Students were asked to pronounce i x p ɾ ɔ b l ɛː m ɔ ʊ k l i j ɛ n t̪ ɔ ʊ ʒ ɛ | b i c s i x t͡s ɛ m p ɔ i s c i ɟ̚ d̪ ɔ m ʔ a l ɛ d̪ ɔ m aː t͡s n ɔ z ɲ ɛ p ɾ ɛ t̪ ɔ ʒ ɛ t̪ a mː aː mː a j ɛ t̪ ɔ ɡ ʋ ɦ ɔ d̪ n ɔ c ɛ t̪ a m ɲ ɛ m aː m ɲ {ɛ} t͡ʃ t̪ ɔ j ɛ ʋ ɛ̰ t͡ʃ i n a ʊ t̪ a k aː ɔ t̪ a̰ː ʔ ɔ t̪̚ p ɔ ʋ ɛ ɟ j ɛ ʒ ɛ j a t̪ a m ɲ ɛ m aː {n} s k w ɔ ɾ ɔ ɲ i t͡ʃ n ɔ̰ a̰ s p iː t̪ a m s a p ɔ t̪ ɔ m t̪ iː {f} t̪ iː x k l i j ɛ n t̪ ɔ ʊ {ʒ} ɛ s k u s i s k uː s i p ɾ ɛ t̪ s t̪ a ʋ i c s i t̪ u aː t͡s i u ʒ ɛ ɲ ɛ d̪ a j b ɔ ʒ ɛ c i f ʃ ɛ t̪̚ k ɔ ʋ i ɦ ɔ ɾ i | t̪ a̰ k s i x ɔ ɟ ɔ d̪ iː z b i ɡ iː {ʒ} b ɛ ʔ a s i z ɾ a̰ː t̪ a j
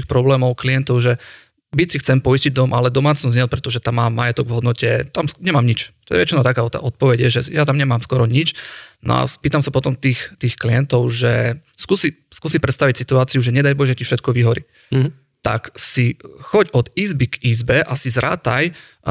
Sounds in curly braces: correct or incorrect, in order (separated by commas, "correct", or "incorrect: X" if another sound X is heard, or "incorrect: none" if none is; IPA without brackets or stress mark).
incorrect: i, incorrect: m, incorrect: x, correct, incorrect: z